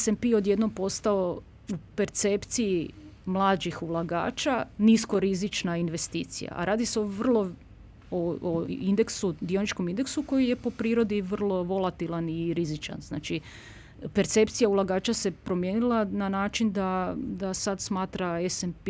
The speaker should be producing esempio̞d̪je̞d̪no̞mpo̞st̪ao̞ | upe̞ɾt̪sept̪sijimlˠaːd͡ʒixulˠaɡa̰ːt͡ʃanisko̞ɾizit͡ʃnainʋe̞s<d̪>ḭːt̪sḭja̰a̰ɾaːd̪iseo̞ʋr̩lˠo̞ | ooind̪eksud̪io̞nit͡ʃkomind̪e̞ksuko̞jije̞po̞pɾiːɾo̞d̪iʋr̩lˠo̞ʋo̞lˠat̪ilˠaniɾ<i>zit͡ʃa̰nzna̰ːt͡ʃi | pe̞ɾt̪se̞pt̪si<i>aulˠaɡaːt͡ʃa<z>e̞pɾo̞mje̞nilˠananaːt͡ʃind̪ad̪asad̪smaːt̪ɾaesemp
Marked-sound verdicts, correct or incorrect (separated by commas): incorrect, correct, incorrect, incorrect